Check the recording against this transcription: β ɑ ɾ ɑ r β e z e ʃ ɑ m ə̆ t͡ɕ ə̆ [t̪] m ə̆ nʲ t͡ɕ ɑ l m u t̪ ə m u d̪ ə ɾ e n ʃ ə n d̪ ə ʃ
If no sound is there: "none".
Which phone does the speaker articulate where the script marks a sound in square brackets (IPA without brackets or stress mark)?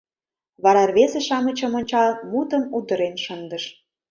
none